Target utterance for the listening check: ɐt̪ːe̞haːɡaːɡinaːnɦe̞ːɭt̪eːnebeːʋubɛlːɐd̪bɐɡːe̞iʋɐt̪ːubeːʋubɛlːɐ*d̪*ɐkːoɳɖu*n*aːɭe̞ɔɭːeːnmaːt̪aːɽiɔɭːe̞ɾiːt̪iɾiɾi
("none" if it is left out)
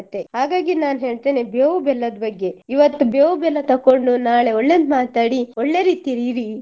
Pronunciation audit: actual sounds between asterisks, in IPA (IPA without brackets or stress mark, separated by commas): t̪, n